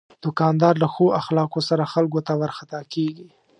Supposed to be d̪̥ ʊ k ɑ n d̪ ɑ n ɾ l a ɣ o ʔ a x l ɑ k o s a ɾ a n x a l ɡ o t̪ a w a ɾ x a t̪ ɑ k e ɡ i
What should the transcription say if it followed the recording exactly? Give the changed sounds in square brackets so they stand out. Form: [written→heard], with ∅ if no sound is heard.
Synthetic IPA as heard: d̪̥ ʊ k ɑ n d̪ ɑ [n→∅] ɾ l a [ɣ→x] o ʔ a x l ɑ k o s a ɾ a [n→∅] x a l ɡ o t̪ a w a ɾ x a t̪ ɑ k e ɡ i